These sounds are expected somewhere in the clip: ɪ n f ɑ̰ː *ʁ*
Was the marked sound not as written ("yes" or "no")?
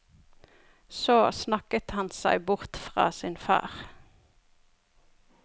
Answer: no